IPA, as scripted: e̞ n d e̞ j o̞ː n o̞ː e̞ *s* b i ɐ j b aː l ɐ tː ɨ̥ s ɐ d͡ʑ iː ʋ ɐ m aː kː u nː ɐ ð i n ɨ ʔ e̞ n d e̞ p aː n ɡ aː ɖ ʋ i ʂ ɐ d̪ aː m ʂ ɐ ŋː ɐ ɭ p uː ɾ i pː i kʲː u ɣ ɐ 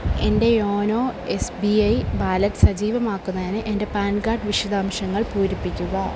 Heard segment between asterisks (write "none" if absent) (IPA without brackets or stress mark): s